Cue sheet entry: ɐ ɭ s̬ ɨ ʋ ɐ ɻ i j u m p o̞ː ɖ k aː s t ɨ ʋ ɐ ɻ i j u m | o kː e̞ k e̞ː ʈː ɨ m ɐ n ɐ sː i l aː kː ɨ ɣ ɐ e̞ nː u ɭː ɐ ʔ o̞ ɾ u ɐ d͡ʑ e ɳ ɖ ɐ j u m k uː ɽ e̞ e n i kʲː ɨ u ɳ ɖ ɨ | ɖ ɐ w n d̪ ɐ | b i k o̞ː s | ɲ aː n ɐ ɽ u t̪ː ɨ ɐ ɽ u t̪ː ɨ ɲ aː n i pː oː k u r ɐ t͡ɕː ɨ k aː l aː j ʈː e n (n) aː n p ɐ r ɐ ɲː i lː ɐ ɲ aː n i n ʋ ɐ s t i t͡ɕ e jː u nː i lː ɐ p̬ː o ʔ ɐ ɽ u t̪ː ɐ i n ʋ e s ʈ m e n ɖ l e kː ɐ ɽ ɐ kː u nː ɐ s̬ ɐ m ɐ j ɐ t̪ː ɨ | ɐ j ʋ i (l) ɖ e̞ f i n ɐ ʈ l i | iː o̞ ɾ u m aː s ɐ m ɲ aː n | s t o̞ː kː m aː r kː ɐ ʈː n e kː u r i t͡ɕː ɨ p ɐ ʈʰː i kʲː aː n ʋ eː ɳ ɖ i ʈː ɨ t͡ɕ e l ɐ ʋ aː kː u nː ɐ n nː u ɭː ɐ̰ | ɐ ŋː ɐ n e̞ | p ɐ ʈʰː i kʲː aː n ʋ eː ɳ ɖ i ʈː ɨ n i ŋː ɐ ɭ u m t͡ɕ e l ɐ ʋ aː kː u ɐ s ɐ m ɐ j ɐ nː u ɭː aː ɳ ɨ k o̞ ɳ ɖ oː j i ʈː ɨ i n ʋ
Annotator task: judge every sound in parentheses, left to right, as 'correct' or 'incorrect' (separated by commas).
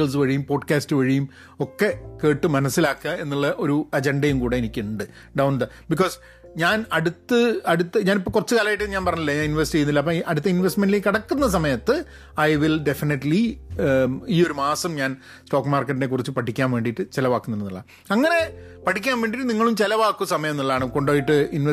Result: incorrect, correct